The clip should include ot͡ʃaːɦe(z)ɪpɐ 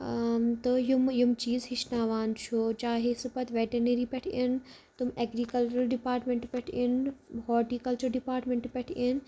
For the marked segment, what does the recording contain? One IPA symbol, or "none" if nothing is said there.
s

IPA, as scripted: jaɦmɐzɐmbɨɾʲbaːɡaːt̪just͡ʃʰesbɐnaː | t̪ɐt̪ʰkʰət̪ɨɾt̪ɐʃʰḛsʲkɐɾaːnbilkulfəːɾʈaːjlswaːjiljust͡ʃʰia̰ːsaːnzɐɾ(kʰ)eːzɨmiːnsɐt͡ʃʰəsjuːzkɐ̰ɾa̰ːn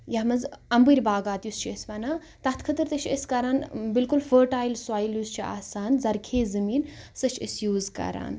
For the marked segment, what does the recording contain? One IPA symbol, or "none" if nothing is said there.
kʰ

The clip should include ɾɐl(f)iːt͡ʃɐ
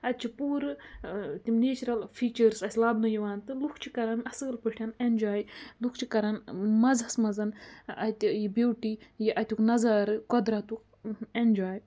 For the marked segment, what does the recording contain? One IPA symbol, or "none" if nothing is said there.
f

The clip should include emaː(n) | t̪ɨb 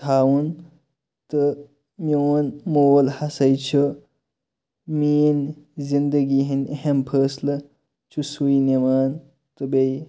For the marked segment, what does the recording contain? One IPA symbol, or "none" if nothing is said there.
n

